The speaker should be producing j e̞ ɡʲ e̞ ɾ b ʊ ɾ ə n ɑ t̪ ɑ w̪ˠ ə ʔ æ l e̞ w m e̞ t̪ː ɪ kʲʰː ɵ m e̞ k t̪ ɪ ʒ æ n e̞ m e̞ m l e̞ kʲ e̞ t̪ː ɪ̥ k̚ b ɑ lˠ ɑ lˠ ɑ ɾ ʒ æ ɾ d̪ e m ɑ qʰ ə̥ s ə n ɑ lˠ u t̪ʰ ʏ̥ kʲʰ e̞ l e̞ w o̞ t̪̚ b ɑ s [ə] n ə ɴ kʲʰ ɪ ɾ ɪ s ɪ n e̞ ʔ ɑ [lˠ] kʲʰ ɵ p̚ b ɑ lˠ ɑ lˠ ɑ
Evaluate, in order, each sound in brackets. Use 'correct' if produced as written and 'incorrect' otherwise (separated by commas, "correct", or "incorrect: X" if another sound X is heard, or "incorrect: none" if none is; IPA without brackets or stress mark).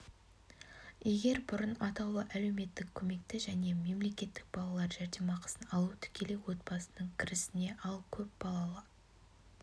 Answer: correct, correct